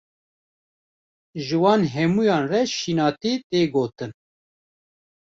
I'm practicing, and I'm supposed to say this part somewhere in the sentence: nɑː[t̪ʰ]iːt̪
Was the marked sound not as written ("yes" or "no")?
yes